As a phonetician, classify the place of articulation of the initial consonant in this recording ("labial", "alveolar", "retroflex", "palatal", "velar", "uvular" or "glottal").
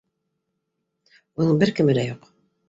alveolar